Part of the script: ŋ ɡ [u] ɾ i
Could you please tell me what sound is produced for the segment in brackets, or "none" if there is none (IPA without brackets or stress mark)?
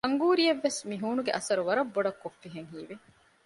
uː